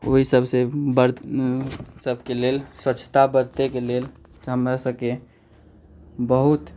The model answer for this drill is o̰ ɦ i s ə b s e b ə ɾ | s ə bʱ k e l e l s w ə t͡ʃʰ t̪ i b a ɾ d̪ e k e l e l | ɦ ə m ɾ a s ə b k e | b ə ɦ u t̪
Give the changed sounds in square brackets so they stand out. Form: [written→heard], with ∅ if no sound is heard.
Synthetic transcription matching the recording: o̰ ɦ i s ə b s e b ə ɾ | s ə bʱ k e l e l s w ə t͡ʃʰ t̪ [i→a] b [a→ə] ɾ [d̪→t̪] e k e l e l | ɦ ə m ɾ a s ə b k e | b ə ɦ u t̪